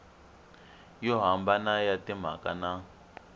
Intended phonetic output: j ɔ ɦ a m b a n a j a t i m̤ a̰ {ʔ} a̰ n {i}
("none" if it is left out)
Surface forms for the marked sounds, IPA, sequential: k, a

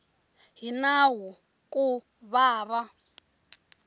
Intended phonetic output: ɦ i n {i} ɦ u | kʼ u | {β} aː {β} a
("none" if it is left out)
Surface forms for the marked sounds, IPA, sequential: a, β, β

